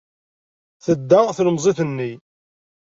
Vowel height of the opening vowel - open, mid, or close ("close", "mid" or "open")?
mid